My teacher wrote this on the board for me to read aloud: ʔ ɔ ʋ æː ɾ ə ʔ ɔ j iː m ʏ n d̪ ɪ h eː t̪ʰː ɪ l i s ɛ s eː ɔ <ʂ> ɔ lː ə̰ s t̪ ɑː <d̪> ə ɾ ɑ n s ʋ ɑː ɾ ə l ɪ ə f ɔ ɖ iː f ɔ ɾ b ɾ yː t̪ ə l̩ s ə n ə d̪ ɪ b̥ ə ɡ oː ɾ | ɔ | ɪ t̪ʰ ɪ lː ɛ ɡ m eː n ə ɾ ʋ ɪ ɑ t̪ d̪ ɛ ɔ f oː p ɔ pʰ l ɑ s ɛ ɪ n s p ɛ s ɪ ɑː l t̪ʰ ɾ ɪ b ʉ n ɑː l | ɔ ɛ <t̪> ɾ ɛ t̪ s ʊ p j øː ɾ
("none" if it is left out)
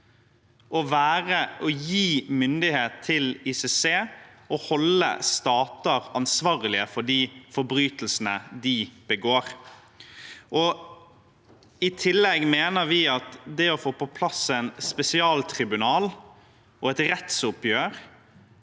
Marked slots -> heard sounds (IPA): h, t̪, t̪

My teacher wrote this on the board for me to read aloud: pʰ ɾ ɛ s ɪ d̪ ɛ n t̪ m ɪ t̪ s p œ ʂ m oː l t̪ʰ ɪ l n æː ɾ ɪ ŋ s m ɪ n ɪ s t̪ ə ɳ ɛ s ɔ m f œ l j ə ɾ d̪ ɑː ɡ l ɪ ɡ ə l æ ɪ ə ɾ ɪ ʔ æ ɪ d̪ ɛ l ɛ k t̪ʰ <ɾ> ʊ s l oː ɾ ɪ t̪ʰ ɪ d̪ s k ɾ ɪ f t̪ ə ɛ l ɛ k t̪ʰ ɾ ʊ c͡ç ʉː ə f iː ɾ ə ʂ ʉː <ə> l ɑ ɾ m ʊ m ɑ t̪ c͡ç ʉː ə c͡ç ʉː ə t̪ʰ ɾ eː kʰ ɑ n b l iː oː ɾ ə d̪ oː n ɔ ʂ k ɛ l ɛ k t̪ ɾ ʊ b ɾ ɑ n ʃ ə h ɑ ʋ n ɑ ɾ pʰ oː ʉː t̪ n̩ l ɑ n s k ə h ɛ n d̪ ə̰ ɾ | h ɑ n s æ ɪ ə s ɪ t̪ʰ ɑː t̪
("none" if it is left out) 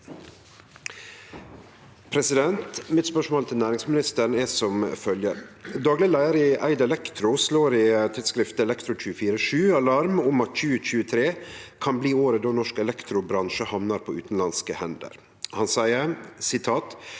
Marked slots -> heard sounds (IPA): ɾ, ɑ

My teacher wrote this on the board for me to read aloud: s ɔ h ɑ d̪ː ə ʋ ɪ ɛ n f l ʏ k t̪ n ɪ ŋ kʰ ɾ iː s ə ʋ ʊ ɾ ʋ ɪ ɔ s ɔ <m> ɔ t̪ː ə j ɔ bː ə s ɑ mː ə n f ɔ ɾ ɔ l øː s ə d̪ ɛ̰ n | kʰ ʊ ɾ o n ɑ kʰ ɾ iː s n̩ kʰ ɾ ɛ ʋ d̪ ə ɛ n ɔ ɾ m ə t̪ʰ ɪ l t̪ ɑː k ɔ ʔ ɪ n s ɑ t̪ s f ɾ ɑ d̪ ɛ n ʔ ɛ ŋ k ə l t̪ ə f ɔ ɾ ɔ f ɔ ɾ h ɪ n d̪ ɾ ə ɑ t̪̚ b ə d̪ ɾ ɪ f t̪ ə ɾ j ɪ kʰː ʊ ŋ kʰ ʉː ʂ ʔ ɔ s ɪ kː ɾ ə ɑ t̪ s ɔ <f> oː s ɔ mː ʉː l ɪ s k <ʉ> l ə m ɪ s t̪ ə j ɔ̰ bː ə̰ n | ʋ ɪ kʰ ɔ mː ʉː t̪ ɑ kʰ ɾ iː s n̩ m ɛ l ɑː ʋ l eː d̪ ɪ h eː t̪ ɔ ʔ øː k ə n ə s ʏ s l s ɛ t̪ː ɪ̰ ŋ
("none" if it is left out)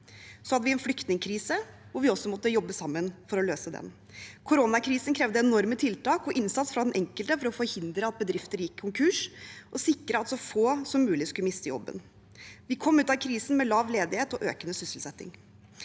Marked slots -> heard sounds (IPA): m, f, ʉ

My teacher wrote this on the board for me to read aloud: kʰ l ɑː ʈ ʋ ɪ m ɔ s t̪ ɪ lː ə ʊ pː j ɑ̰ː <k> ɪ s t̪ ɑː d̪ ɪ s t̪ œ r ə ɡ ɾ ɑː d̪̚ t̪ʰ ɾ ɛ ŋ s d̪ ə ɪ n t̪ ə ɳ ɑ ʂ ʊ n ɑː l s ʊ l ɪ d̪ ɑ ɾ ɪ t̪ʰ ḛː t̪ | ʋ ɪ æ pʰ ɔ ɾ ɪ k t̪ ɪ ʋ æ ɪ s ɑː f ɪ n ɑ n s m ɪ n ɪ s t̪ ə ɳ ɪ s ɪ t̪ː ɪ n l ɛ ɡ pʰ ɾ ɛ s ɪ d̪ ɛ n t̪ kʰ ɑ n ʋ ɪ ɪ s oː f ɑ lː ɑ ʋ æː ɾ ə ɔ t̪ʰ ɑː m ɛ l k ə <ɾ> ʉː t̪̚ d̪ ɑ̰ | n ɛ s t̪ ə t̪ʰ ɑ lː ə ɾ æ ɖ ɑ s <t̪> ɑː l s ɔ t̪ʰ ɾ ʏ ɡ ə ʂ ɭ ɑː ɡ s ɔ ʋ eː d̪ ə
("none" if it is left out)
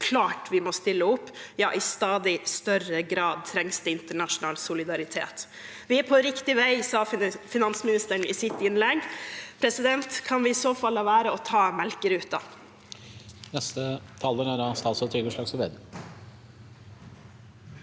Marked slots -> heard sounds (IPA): ʔ, ɾ, t̪

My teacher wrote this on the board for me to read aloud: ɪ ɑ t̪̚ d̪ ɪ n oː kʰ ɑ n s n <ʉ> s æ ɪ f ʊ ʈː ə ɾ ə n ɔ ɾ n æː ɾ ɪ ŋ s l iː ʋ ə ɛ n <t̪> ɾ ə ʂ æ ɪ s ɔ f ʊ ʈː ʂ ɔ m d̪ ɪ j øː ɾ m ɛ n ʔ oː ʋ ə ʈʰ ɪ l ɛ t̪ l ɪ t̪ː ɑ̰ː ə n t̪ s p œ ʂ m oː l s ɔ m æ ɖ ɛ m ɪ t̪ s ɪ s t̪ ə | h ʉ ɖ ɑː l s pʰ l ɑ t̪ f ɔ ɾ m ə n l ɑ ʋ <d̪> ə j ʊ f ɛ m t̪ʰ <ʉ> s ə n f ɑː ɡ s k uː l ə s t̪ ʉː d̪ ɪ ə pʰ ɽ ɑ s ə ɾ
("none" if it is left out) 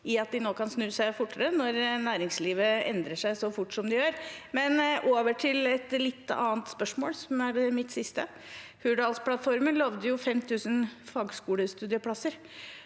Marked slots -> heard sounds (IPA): ʉː, d̪, d̪, ʉː

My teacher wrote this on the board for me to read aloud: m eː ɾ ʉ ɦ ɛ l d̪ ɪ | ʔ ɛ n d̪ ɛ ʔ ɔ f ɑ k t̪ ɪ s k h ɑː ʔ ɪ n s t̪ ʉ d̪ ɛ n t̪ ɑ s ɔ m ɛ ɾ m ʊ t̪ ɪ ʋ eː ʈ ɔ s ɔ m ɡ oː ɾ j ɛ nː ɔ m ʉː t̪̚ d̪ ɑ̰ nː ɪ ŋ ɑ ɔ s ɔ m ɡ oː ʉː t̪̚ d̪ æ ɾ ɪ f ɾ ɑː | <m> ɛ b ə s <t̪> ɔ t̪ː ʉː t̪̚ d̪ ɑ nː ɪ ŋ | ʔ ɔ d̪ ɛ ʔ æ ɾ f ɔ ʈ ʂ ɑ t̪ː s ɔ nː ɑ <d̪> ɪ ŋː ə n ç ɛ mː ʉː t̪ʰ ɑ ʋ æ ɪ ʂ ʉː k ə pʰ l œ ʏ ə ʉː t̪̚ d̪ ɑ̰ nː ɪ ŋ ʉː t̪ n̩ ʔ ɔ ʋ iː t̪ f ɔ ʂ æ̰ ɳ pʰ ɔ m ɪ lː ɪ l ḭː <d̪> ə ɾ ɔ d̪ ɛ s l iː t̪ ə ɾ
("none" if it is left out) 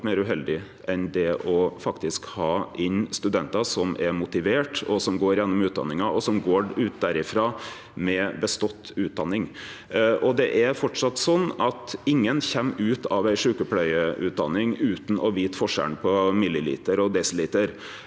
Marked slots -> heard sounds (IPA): m, t̪, t̪, t̪

